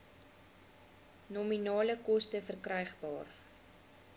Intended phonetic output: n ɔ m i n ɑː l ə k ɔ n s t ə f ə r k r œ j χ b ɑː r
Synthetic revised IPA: n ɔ m i n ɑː l ə k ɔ s t ə f ə r k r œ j χ b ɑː r

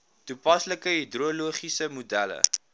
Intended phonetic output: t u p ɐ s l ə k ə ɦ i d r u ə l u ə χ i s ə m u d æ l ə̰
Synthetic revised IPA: t u p ɐ s l ə k ə ɦ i d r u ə l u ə χ i s ə m u d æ l ə̰

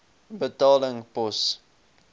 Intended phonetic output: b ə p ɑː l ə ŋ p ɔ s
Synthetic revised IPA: b ə t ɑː l ə ŋ p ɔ s

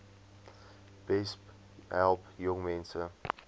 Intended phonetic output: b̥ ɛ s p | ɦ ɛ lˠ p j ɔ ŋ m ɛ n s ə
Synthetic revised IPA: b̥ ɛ s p | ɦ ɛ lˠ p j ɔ ŋ m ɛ n s ə

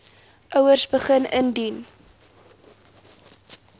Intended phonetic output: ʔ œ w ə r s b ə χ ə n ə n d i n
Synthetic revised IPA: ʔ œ w ə r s b ə χ ə n ə n d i n

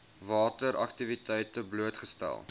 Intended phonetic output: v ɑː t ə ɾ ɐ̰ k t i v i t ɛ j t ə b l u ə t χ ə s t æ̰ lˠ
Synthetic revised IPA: v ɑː t ə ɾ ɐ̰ k t i v i t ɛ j t ə b l u ə t χ ə s t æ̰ lˠ

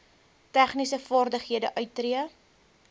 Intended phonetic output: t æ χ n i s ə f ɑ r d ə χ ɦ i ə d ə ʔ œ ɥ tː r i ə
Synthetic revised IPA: t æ χ n i s ə f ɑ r d ə χ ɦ i ə d ə ʔ œ ɥ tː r i ə

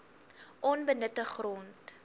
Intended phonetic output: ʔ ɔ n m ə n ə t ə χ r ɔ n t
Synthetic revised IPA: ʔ ɔ n b ə n ə t ə χ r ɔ n t

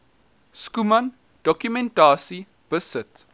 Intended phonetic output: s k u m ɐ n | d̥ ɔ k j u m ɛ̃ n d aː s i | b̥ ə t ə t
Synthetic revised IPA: s k u m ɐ n | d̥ ɔ k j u m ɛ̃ n t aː s i | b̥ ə s ə t

